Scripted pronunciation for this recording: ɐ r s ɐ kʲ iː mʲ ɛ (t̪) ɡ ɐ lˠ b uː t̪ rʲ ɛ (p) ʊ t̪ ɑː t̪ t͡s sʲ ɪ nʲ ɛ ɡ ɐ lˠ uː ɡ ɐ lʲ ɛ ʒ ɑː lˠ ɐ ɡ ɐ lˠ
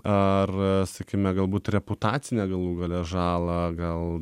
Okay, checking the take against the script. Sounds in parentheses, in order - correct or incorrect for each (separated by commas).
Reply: incorrect, correct